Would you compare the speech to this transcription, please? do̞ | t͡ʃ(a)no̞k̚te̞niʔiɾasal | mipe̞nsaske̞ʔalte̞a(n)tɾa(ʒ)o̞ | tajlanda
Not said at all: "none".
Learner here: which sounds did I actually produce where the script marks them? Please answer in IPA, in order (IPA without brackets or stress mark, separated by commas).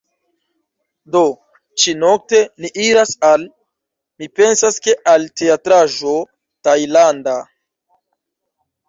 i, none, ʒ